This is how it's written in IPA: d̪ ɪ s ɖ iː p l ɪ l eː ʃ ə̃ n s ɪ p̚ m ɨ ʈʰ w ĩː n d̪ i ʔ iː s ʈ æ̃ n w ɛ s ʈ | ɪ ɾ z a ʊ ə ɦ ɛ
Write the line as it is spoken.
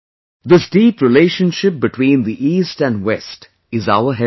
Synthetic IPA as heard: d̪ ɪ s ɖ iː p ɾ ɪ l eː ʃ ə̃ n ʃ ɪ p̚ b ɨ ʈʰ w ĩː n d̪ i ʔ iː s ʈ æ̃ n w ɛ s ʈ | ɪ z a ʊ ə ɦ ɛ